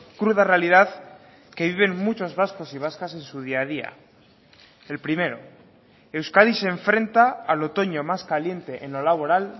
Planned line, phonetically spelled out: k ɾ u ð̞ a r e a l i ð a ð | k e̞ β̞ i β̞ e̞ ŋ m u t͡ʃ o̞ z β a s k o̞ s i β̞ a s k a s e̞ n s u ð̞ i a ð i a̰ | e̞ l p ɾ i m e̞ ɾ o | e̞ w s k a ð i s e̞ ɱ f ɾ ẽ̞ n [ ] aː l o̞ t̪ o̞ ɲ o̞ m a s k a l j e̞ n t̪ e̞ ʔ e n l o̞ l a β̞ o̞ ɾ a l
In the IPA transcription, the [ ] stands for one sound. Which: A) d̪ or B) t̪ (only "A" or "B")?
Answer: B